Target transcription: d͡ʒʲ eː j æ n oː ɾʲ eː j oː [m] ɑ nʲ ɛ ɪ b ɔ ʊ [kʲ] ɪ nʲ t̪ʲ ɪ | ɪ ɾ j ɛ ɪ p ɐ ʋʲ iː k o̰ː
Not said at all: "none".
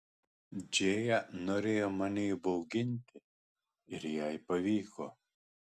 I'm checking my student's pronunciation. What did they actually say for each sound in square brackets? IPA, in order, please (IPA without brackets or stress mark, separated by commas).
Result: m, ɡʲ